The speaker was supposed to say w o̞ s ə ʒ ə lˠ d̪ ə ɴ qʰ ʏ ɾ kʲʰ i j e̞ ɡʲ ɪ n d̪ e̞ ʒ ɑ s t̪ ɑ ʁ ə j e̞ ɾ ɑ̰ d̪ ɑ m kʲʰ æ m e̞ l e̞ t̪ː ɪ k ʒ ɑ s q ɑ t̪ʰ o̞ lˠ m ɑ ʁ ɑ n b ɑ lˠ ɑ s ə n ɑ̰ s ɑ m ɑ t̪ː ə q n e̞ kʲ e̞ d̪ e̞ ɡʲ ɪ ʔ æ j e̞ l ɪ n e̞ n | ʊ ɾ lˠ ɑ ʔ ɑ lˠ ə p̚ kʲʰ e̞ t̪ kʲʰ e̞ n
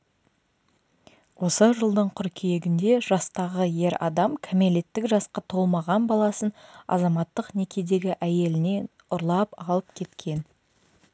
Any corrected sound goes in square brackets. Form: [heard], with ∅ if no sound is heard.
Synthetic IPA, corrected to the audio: w o̞ s ə ʒ ə lˠ d̪ ə ɴ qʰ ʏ ɾ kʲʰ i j e̞ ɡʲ ɪ n d̪ e̞ ʒ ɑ s t̪ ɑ ʁ ə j e̞ ɾ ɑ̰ d̪ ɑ m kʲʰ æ m e̞ l e̞ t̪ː ɪ k ʒ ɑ s q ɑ t̪ʰ o̞ lˠ m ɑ ʁ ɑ n b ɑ lˠ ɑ s ə n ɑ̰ [z] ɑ m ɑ t̪ː ə q n e̞ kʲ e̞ d̪ e̞ ɡʲ ɪ ʔ æ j e̞ l ɪ n e̞ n | ʊ ɾ lˠ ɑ [p] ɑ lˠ ə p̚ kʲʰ e̞ t̪ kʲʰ e̞ n